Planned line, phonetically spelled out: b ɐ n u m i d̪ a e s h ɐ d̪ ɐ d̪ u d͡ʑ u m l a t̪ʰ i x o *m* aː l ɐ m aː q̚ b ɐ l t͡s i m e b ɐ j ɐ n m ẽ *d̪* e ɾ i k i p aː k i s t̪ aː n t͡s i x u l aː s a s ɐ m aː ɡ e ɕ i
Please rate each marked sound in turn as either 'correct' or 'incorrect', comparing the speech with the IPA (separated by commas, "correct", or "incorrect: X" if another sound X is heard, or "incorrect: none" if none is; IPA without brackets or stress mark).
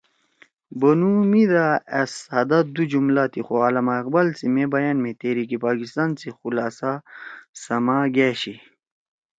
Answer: incorrect: none, incorrect: t̪